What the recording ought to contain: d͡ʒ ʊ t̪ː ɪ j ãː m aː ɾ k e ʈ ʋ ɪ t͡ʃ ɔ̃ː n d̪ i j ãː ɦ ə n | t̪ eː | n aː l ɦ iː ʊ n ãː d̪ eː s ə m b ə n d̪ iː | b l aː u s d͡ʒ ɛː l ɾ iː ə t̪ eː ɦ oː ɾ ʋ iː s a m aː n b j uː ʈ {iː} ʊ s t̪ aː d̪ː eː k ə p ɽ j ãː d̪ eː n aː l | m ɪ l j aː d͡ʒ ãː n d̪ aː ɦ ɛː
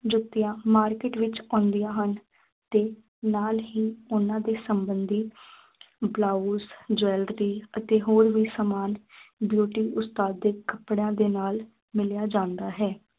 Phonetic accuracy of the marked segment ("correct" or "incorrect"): correct